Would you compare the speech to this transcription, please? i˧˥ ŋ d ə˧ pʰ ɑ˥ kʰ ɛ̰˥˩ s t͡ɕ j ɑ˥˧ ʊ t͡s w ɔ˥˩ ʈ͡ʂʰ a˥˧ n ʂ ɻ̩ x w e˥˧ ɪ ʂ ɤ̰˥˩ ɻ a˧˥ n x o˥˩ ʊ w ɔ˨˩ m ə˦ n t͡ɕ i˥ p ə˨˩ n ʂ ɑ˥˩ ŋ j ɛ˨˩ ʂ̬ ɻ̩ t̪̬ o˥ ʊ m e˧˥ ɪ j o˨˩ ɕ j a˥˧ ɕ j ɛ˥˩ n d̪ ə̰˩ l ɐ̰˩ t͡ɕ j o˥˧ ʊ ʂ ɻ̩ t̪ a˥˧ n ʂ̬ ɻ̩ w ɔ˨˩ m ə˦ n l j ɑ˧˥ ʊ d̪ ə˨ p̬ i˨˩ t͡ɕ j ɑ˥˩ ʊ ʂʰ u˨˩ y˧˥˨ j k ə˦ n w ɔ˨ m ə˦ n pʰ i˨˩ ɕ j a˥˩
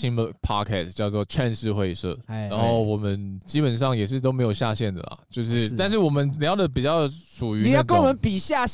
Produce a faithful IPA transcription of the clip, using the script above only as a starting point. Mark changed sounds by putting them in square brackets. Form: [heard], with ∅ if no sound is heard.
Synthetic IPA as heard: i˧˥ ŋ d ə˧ pʰ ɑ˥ kʰ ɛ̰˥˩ s t͡ɕ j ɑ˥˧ ʊ t͡s w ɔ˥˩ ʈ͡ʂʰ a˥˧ n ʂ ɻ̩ x w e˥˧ ɪ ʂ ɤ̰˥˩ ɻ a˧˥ n x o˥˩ ʊ w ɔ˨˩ m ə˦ n t͡ɕ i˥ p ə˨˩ n ʂ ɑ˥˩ ŋ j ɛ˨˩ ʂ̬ ɻ̩ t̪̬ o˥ ʊ m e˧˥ ɪ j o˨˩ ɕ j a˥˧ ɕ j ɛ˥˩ n d̪ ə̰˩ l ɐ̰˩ t͡ɕ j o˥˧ ʊ ʂ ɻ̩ t̪ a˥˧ n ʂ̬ ɻ̩ w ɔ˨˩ m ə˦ n l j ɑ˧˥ ʊ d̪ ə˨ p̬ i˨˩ t͡ɕ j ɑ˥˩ ʊ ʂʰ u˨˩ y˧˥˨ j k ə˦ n w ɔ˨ m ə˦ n [p] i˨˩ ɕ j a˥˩